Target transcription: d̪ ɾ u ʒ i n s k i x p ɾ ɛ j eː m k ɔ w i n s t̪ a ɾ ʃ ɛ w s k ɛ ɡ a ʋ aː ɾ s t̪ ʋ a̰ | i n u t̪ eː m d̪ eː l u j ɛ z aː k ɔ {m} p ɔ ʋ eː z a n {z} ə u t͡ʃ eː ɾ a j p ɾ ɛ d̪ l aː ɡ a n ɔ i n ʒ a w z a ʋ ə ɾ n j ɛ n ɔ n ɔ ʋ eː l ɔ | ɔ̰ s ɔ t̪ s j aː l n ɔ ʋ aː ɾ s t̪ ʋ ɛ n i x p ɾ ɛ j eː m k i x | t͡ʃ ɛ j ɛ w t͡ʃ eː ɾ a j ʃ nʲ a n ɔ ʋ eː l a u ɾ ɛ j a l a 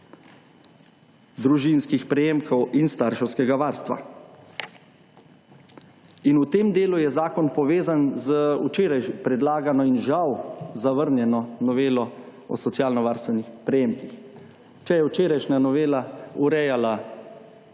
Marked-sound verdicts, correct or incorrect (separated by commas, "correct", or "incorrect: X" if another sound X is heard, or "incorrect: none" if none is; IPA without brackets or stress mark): incorrect: n, correct